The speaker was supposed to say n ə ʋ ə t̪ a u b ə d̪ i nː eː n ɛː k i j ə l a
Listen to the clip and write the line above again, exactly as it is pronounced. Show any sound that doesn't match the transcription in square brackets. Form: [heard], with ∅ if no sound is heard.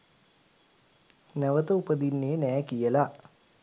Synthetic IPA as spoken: n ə ʋ ə t̪ [ə] u [p] ə d̪ i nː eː n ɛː k i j ə l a